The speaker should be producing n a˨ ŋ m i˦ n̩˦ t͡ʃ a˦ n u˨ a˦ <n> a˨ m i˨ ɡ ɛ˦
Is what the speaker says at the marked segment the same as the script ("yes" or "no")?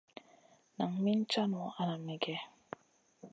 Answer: yes